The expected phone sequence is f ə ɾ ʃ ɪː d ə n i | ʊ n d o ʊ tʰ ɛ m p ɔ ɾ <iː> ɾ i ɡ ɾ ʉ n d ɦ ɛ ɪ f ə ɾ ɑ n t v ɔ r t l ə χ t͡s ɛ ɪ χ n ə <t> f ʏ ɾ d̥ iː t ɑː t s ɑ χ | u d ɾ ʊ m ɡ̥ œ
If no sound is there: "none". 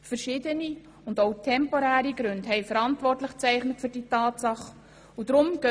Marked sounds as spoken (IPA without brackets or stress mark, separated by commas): æː, t